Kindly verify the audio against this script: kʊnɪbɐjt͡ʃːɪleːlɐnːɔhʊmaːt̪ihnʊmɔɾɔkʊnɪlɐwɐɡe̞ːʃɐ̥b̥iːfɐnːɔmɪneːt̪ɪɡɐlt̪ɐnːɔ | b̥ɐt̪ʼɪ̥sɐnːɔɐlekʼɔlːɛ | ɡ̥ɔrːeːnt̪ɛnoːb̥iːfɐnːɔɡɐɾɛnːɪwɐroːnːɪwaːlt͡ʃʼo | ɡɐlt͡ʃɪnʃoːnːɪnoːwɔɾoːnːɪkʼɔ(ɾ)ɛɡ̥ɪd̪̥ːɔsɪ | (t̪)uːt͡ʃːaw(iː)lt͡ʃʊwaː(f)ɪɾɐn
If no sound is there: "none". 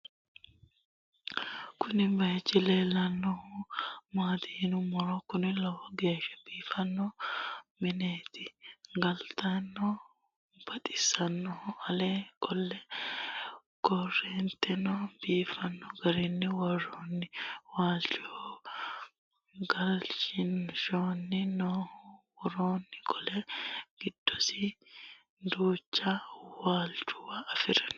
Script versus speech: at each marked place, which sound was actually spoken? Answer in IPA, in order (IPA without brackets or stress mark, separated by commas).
l, d̪, aː, f